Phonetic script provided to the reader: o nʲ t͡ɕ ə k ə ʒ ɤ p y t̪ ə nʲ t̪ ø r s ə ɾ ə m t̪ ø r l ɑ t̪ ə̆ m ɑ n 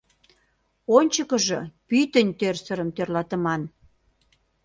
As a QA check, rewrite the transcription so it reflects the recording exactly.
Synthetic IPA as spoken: o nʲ t͡ɕ ə k ə ʒ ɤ p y t̪ ə nʲ t̪ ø r s ə ɾ ə m t̪ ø r l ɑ t̪ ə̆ m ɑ n